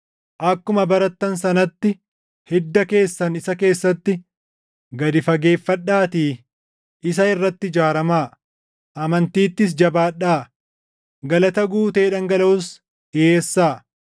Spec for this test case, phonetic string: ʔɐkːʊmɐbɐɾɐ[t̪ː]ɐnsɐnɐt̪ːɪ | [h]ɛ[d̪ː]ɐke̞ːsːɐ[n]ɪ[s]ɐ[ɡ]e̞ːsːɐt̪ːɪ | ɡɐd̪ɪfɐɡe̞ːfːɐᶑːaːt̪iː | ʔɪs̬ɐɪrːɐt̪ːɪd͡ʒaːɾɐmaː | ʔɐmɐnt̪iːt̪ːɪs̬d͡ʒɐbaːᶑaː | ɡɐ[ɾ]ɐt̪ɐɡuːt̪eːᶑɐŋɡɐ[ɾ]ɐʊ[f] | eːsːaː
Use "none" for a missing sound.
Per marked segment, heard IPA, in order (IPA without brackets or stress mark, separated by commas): t̪ː, h, d̪ː, n, s, k, l, l, s